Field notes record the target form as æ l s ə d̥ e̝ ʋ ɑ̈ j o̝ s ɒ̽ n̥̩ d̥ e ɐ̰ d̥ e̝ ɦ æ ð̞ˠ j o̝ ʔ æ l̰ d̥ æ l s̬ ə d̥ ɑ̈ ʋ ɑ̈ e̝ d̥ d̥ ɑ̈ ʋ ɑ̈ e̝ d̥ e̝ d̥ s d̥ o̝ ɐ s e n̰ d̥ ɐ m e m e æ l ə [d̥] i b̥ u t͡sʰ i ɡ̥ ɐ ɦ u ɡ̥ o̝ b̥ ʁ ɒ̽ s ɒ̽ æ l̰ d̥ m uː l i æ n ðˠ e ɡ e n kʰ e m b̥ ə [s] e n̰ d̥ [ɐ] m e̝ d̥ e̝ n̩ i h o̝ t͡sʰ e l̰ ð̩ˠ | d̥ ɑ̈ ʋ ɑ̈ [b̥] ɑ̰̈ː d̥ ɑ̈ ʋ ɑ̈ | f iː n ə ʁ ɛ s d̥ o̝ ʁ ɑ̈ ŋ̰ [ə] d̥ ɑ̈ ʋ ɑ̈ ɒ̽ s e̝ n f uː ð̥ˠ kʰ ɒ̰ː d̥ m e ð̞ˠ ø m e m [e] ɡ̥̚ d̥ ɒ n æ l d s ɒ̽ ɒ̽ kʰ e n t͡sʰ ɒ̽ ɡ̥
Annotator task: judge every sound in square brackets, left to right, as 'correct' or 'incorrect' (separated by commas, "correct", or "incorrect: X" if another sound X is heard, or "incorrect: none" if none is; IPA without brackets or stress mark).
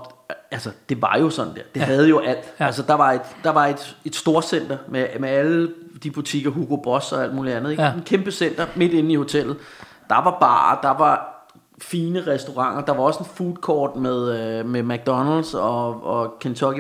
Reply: correct, correct, correct, correct, incorrect: ɐ, incorrect: æ